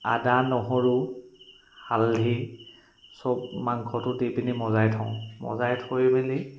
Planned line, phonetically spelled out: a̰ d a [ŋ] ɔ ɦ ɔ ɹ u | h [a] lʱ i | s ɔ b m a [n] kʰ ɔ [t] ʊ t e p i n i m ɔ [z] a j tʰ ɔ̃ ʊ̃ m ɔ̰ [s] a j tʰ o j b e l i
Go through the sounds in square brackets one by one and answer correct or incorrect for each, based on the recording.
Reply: incorrect, correct, incorrect, correct, correct, incorrect

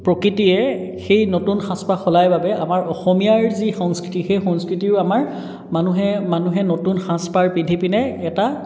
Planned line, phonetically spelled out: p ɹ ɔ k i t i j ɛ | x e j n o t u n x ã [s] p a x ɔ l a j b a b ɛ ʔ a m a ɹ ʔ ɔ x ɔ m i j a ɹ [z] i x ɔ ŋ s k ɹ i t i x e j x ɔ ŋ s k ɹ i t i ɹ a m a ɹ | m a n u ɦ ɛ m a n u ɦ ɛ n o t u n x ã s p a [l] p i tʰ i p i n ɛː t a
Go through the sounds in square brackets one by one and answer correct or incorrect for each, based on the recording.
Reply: correct, correct, incorrect

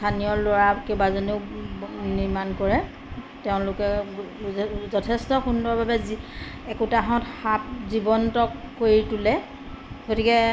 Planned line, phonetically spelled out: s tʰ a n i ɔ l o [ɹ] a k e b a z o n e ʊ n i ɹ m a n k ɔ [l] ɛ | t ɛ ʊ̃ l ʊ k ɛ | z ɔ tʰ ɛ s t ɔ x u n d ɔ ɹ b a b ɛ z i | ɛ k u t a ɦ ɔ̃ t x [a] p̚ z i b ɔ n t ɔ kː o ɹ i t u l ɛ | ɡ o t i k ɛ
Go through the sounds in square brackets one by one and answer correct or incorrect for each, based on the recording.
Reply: correct, incorrect, correct

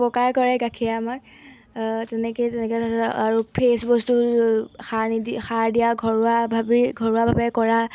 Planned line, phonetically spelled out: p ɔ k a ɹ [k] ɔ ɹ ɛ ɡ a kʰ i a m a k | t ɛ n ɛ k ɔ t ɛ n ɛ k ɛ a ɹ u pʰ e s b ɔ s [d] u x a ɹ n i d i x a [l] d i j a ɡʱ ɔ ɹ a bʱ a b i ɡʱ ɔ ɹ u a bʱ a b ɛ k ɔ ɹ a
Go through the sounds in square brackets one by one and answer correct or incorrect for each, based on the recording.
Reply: correct, incorrect, incorrect

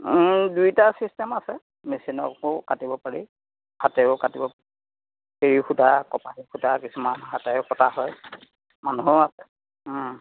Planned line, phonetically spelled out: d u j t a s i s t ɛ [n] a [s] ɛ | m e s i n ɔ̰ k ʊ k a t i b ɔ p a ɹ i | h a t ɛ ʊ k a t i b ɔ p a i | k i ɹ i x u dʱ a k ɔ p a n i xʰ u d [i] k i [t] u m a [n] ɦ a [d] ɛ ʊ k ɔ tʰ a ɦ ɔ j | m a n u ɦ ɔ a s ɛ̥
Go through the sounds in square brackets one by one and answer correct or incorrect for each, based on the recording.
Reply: incorrect, correct, incorrect, incorrect, correct, incorrect

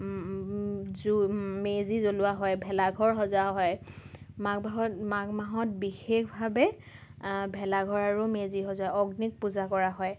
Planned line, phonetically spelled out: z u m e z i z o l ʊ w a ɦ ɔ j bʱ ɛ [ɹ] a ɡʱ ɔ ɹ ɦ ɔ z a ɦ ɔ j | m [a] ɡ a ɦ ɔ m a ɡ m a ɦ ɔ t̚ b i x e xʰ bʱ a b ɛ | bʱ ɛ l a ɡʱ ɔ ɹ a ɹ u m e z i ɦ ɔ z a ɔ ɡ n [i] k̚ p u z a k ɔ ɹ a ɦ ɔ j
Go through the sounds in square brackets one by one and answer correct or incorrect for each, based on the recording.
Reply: incorrect, correct, correct

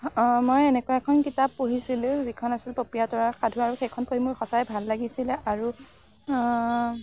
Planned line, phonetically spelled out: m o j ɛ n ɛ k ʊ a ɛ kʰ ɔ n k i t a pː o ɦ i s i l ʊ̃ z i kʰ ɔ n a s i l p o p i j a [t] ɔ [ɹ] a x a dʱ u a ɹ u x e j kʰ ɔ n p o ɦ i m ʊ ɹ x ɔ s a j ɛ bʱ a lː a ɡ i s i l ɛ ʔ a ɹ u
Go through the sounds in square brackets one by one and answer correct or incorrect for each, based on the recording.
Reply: correct, correct

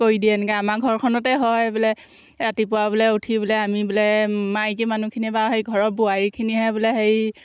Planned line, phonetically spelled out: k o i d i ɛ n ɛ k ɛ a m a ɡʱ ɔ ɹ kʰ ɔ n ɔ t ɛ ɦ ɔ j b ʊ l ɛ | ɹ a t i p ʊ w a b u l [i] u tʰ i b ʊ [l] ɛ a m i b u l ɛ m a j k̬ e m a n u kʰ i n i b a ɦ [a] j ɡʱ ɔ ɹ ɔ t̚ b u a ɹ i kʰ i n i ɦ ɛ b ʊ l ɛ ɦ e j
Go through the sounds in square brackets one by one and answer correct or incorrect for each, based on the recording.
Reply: incorrect, correct, incorrect

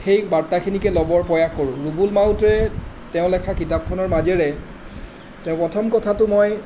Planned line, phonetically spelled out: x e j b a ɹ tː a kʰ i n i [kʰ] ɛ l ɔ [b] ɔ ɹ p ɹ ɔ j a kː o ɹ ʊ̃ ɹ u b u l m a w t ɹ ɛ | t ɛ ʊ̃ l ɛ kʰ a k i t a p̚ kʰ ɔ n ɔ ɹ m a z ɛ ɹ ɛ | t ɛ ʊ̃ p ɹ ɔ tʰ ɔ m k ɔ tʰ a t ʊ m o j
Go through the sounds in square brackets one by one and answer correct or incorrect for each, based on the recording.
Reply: incorrect, correct

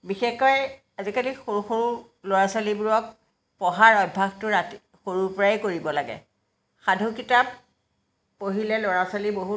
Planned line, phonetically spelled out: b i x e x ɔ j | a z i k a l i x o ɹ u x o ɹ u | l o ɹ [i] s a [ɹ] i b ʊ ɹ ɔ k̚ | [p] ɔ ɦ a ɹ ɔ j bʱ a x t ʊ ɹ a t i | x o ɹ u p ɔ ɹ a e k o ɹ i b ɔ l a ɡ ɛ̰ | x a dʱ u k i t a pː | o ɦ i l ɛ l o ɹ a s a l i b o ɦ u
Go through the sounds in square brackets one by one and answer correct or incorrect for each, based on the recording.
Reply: incorrect, incorrect, correct

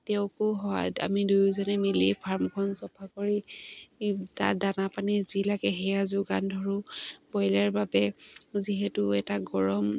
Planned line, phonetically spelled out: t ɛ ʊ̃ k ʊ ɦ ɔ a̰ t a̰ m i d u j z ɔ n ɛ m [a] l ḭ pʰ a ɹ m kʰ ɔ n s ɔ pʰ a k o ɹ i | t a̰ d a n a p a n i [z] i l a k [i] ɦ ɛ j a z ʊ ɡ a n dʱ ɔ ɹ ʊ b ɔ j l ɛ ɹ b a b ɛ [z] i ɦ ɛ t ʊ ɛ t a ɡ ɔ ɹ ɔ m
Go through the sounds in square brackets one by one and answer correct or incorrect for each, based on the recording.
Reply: incorrect, correct, incorrect, correct

